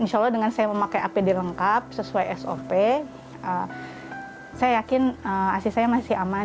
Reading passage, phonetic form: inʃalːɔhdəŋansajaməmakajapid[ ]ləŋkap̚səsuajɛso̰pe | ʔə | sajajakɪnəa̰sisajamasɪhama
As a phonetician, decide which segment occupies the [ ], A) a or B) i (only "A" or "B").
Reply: B